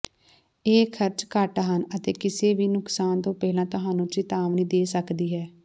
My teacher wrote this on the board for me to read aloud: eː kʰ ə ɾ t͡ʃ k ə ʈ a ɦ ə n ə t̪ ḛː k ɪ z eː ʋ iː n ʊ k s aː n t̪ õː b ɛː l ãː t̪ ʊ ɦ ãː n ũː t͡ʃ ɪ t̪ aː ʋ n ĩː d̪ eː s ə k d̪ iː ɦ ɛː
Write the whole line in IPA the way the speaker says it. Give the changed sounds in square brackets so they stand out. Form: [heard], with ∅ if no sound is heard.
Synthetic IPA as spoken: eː kʰ ə ɾ t͡ʃ k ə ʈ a ɦ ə n ə t̪ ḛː k ɪ [s] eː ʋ iː n ʊ k s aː n t̪ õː [p] ɛː l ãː t̪ ʊ ɦ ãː n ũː t͡ʃ ɪ t̪ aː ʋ n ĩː d̪ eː s ə k d̪ iː ɦ ɛː